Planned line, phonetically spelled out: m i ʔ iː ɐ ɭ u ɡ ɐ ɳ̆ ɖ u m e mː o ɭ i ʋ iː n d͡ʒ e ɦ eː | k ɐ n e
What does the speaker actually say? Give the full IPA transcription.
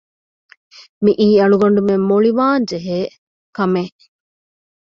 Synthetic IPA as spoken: m i ʔ iː ɐ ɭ u ɡ ɐ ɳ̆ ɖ u m e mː o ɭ i ʋ aː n d͡ʒ e ɦ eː | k ɐ m e